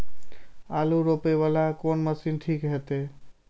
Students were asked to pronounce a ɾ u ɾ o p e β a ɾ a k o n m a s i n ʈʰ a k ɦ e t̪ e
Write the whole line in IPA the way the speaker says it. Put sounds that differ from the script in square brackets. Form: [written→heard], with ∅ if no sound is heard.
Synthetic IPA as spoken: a [ɾ→l] u ɾ o p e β a [ɾ→l] a k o n m [a→ə] s i n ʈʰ [a→i] k ɦ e t̪ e